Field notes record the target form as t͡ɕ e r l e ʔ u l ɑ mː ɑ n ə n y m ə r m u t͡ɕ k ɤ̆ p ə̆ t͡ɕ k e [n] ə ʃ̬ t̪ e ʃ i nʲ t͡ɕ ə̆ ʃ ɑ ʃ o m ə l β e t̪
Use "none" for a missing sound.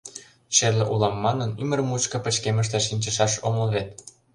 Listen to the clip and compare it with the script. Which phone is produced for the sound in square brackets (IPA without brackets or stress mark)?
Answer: m